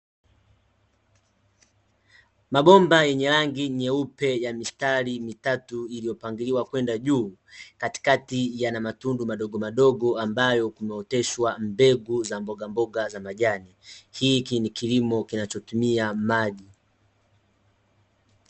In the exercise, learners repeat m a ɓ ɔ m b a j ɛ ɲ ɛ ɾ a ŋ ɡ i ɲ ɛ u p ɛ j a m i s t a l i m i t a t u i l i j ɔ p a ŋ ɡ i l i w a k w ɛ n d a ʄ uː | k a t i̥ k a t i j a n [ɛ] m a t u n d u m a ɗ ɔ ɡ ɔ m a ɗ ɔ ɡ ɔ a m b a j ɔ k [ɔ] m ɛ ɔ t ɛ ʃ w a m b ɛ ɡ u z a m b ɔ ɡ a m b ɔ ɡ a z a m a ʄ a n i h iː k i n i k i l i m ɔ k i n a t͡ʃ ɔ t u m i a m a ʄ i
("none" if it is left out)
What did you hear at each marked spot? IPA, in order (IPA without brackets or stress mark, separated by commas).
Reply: a, u